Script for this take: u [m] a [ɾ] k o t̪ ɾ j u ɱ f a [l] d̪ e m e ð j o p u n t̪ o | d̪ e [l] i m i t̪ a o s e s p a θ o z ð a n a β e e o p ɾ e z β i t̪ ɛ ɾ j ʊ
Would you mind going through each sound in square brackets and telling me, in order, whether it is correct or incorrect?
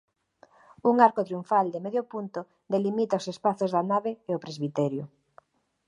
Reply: incorrect, correct, correct, correct

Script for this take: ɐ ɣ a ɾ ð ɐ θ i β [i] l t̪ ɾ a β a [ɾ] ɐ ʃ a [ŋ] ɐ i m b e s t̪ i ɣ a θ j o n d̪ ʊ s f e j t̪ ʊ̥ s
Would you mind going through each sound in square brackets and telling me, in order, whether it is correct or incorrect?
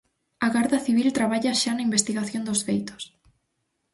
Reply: correct, incorrect, incorrect

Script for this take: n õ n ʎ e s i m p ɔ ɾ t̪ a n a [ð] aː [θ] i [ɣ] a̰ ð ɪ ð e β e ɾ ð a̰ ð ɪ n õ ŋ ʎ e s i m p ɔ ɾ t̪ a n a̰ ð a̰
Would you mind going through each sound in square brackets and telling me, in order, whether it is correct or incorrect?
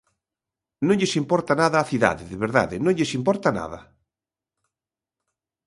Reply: correct, correct, incorrect

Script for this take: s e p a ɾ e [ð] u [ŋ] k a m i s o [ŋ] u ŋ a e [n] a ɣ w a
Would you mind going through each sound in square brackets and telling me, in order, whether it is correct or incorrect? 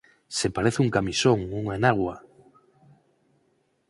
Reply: incorrect, correct, correct, correct

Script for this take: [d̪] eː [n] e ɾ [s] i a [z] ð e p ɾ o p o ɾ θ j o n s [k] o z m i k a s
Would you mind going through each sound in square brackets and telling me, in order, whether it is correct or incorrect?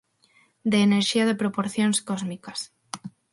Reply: correct, correct, incorrect, incorrect, correct

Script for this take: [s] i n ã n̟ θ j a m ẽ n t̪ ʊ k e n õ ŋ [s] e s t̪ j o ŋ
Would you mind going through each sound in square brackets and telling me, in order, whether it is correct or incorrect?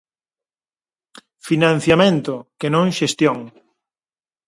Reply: incorrect, incorrect

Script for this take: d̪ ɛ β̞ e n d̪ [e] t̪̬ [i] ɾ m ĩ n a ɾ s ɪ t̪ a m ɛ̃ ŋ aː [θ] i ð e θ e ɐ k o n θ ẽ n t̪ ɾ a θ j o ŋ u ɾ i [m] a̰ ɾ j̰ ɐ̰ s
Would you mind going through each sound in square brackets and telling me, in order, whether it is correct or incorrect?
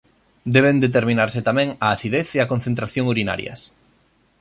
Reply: correct, incorrect, correct, incorrect

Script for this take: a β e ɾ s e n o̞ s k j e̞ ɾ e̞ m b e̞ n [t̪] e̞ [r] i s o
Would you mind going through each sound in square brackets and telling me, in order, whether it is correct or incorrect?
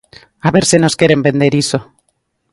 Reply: incorrect, incorrect

